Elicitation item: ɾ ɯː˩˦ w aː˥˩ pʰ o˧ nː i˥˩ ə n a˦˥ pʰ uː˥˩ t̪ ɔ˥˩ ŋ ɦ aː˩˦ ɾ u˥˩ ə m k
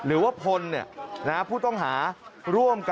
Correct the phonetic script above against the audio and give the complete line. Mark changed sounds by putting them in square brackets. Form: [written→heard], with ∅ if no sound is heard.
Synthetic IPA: ɾ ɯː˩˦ w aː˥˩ pʰ o˧ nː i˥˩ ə n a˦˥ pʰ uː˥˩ t̪ ɔ˥˩ ŋ ɦ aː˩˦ ɾ u˥˩ ə m k